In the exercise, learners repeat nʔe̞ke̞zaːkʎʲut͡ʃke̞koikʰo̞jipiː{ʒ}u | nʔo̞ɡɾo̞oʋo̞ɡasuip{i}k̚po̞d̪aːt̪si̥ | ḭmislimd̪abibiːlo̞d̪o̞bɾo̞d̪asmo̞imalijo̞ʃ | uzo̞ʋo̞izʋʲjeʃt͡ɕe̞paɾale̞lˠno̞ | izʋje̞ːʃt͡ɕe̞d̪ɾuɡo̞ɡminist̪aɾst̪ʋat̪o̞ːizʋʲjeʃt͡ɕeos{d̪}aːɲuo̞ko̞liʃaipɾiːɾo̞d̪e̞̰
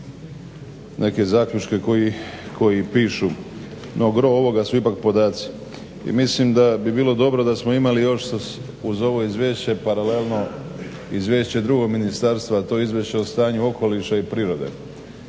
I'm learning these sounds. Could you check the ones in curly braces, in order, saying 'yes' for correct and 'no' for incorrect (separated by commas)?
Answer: no, no, no